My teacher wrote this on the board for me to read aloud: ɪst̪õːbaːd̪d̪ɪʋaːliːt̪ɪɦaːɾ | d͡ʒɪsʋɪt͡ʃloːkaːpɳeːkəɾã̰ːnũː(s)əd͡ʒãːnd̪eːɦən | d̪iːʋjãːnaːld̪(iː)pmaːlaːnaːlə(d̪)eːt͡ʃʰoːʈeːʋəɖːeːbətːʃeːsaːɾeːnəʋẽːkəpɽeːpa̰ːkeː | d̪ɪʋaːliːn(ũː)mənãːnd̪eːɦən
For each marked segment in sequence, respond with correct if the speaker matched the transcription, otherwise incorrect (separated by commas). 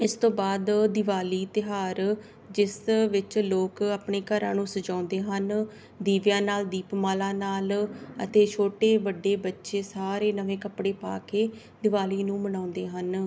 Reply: correct, correct, incorrect, correct